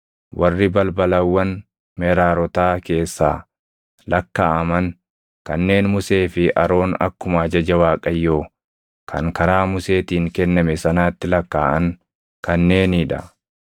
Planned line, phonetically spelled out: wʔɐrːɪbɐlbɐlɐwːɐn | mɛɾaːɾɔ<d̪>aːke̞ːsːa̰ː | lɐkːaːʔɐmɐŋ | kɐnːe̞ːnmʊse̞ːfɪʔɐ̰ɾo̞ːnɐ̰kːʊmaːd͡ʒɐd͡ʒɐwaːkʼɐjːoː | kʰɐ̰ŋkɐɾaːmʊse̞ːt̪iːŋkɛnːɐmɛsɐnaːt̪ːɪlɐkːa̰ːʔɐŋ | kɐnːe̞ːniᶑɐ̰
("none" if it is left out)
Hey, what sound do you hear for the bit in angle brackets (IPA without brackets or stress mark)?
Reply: t̪